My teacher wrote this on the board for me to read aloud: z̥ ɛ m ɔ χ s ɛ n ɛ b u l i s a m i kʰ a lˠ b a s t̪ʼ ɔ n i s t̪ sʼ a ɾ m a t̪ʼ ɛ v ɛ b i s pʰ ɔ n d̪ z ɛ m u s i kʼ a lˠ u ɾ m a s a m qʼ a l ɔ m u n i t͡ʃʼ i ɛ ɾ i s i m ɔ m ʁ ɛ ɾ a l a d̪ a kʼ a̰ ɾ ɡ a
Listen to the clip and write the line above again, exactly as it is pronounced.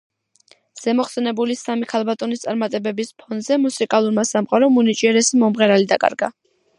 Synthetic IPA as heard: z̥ ɛ m ɔ χ s ɛ n ɛ b u l i s a m i kʰ a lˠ b a t̪ʼ ɔ n i s t̪ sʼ a ɾ m a t̪ʼ ɛ b ɛ b i s pʰ ɔ n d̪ z ɛ m u s i kʼ a lˠ u ɾ m a s a m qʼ a ɾ ɔ m u n i t͡ʃʼ i ɛ ɾ ɛ s i m ɔ m ʁ ɛ ɾ a l i d̪ a kʼ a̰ ɾ ɡ a